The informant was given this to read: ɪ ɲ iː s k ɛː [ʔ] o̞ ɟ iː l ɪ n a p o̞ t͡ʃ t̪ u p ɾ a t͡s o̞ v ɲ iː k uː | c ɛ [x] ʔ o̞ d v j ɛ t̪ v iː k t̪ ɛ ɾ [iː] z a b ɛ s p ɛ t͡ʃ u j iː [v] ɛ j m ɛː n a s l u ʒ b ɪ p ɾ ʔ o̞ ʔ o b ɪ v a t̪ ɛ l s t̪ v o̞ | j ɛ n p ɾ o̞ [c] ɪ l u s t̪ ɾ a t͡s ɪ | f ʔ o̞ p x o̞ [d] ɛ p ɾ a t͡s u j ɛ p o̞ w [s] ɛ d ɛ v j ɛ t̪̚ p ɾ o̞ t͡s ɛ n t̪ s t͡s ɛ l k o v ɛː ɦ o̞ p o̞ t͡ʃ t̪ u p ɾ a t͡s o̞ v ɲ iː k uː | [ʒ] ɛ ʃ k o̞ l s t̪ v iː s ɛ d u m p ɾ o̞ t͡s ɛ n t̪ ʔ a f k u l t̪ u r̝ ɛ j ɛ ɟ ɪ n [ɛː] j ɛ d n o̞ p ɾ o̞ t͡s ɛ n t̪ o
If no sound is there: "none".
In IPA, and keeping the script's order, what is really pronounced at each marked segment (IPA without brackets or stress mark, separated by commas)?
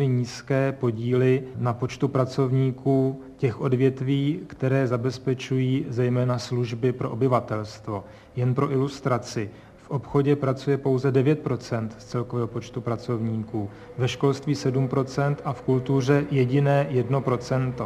p, x, ɛː, z, ʔ, ɟ, z, v, ɛː